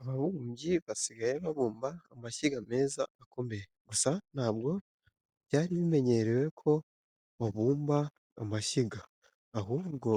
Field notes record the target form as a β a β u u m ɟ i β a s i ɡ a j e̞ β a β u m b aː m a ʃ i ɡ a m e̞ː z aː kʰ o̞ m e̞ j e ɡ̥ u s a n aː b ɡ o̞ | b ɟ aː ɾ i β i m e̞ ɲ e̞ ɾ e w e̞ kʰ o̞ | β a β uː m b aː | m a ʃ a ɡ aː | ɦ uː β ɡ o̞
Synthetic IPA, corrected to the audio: a β a β u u m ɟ i β a s i ɡ a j e̞ β a β uː m b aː m a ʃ i ɡ a m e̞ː z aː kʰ o̞ m e̞ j e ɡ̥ u s a n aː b ɡ o̞ | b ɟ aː ɾ i β i m e̞ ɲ e̞ ɾ e w e̞ kʰ o̞ | β a β uː m b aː | m a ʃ i ɡ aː | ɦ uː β ɡ o̞